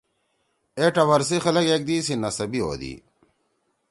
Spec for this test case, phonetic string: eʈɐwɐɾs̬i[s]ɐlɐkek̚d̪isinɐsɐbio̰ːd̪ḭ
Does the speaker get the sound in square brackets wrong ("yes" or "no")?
yes